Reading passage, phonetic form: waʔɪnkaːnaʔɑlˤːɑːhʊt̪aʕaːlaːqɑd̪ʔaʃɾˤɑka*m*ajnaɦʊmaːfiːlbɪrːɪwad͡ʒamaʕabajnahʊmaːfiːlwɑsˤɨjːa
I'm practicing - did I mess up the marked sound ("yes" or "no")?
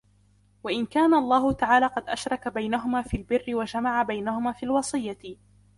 yes